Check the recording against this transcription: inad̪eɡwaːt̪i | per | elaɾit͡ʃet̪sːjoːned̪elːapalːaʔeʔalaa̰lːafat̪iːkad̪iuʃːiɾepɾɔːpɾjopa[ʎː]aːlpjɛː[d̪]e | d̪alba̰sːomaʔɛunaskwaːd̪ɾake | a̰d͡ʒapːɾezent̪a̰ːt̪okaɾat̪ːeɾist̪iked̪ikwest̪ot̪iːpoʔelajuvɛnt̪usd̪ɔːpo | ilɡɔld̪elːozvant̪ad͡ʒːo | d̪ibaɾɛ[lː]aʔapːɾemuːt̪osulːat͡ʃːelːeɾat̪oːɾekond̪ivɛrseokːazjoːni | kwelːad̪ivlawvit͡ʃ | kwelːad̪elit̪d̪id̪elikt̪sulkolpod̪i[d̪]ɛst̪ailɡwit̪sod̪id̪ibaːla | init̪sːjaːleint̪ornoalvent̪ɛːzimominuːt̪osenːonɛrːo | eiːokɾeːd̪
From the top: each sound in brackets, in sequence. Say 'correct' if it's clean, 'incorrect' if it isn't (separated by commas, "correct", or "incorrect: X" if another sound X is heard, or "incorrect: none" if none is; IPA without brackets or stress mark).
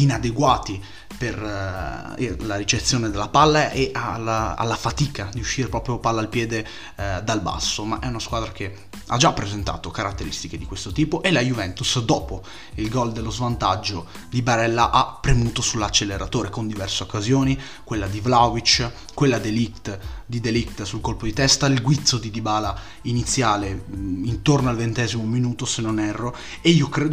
incorrect: lː, correct, correct, incorrect: t̪